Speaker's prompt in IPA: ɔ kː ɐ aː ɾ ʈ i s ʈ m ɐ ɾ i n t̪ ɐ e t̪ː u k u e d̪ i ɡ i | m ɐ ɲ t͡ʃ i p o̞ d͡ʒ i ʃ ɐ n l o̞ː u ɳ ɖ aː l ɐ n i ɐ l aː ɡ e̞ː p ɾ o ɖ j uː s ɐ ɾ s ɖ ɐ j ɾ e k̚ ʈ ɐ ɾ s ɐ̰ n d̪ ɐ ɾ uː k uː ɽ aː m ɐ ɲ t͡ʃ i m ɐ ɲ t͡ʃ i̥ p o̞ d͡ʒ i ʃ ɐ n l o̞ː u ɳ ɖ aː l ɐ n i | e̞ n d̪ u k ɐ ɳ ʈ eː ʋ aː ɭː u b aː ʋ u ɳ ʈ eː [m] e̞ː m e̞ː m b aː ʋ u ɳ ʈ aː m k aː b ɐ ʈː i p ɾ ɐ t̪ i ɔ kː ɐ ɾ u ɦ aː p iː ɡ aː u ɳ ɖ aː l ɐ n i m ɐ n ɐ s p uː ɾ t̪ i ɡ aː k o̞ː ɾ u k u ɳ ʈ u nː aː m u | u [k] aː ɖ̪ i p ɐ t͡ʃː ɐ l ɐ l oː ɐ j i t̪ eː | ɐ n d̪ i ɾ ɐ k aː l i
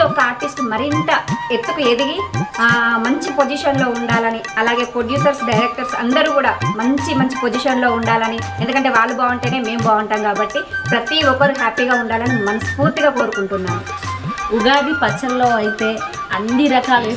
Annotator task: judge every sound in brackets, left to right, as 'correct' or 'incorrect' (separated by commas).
incorrect, incorrect